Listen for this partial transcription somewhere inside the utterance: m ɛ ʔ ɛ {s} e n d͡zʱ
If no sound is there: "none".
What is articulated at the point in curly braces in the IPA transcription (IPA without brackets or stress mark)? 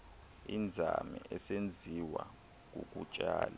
s